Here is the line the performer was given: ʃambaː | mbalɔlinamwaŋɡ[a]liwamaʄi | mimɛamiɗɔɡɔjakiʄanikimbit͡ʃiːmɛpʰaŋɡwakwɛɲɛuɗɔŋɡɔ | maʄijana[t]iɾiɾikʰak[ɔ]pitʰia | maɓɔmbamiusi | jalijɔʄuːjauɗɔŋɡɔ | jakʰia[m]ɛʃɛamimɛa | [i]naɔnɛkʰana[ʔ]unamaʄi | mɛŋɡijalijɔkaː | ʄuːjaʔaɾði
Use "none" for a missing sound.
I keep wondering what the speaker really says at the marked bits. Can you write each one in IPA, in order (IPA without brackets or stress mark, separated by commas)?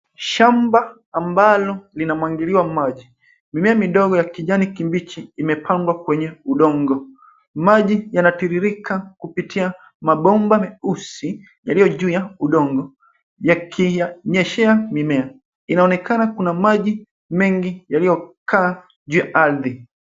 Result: i, t, u, ɲ, i, k